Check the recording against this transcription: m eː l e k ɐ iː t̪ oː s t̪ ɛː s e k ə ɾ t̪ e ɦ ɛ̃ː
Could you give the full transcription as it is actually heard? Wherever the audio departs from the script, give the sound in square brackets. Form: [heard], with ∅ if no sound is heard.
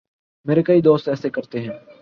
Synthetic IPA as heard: m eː [ɾ] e k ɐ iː [d̪] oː s t̪ ɛː s e k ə ɾ t̪ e ɦ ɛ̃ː